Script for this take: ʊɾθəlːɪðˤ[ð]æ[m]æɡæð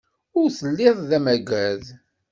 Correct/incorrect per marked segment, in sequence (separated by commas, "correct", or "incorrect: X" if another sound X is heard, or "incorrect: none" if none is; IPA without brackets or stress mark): correct, correct